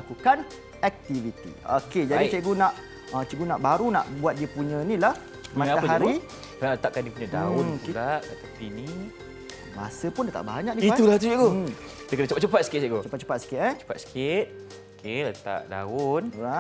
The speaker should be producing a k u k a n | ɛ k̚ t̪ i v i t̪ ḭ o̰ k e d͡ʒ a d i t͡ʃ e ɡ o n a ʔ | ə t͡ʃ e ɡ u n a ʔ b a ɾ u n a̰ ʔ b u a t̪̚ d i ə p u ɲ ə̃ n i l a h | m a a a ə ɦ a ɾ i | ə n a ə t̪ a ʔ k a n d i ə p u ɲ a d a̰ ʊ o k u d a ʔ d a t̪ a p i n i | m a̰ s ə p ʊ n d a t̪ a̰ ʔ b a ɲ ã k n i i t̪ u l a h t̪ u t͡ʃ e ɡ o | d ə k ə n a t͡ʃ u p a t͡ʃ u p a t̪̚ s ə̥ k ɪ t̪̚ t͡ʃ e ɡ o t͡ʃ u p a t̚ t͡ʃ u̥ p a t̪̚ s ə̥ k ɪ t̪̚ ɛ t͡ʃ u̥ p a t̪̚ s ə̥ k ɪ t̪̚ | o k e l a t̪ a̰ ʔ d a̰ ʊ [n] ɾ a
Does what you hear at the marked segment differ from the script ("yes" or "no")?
no